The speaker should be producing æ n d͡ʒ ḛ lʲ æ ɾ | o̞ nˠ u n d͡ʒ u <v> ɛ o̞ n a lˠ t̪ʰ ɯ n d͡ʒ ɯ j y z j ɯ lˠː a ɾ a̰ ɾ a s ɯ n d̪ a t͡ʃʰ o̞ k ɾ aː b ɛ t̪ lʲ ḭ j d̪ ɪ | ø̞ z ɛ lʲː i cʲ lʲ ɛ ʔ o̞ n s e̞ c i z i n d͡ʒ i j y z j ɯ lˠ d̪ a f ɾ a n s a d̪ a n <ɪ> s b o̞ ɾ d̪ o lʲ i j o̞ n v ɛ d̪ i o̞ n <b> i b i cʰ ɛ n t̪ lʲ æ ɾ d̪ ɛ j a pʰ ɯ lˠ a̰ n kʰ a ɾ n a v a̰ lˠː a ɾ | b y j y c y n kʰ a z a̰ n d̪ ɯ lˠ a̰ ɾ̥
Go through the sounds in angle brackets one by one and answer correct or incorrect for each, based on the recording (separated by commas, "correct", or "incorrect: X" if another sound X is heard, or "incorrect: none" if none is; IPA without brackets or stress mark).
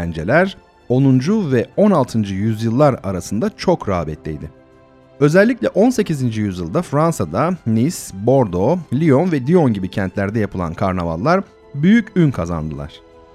correct, incorrect: i, incorrect: ɟ